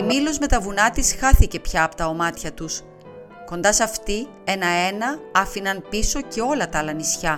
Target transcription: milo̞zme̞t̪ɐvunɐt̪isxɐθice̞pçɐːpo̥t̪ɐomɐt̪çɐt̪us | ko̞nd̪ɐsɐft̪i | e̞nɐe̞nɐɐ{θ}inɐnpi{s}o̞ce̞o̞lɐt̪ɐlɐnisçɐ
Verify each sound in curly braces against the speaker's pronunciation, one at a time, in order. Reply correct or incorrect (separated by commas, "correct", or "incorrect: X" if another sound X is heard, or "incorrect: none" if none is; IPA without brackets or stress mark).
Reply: incorrect: f, correct